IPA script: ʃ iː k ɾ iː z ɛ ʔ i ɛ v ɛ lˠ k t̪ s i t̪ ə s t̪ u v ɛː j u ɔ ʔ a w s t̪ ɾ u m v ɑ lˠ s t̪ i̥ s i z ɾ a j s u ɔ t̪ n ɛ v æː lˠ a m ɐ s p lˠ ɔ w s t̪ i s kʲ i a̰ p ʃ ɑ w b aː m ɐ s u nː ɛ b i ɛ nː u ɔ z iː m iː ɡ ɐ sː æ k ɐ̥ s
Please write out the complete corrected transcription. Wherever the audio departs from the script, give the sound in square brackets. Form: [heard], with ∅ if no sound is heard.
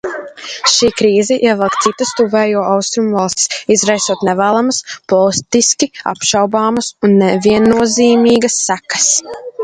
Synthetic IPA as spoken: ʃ iː k ɾ iː z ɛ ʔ i ɛ v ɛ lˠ k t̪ s i t̪ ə s t̪ u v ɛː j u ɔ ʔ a w s t̪ ɾ u m v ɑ lˠ s t̪ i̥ s i z ɾ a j s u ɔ t̪ n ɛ v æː lˠ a m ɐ s p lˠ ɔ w s t̪ i s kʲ i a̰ p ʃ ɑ w b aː m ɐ s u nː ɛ [v] i ɛ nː u ɔ z iː m iː ɡ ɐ sː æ k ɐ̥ s